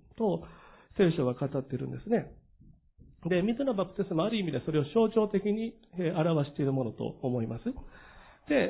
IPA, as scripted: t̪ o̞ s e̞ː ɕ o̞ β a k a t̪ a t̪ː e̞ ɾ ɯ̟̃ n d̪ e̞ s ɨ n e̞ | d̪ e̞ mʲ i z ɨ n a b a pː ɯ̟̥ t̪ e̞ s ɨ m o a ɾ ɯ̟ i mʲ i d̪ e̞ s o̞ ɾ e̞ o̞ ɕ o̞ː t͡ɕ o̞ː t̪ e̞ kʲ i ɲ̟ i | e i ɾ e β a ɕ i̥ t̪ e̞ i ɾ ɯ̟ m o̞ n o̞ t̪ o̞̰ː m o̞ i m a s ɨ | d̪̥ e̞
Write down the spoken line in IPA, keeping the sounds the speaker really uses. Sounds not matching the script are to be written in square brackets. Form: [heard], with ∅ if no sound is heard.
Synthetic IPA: t̪ o̞ s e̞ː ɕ o̞ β a k a t̪ a t̪ː e̞ ɾ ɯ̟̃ n d̪ e̞ s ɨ n e̞ | d̪ e̞ mʲ i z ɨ n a b a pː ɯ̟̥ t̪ e̞ s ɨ m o a ɾ ɯ̟ i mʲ i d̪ e̞ s o̞ ɾ e̞ o̞ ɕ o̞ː t͡ɕ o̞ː t̪ e̞ kʲ i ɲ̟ i | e [a] ɾ [a] β a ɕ i̥ t̪ e̞ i ɾ ɯ̟ m o̞ n o̞ t̪ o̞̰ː m o̞ i m a s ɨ | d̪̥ e̞